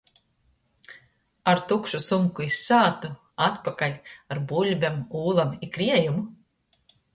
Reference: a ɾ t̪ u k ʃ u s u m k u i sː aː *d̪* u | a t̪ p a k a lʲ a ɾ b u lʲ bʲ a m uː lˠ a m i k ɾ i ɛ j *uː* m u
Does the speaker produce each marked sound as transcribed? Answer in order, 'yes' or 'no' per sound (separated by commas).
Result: no, no